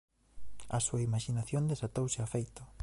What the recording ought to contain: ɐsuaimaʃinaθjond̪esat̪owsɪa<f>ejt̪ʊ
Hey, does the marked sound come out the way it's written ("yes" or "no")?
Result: yes